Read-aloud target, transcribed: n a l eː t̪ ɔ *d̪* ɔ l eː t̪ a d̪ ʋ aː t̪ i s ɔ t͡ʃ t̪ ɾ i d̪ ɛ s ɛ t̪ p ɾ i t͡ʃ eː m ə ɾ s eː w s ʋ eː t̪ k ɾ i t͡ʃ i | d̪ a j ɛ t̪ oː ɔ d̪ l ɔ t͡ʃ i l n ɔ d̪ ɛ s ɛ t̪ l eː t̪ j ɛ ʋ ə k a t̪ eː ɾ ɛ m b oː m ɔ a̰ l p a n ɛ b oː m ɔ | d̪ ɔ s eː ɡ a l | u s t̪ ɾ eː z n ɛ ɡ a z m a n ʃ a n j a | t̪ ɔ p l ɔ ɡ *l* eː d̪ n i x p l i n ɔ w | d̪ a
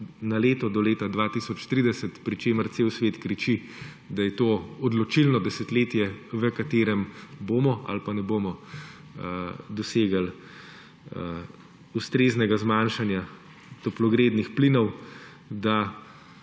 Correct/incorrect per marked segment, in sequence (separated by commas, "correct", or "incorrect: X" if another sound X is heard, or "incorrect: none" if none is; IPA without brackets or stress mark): correct, incorrect: ɾ